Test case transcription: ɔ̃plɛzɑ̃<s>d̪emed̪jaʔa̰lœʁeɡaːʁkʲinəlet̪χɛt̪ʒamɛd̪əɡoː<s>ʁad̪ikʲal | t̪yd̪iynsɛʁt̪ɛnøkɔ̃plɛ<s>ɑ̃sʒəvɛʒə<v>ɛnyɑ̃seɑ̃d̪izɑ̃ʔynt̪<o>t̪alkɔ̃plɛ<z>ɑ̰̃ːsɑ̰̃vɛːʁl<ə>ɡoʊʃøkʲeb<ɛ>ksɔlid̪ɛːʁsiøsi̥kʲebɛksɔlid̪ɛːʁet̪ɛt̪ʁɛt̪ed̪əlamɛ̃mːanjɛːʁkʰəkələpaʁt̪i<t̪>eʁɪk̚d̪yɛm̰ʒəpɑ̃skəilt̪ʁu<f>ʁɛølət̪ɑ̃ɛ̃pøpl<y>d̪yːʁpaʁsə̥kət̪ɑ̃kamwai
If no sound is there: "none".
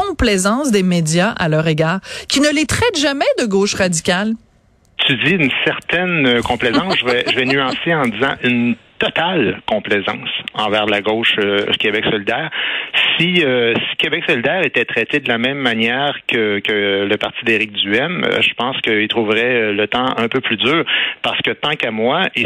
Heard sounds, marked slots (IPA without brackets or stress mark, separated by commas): s, ʃ, z, v, ɔ, z, a, ɛ, d̪, v, y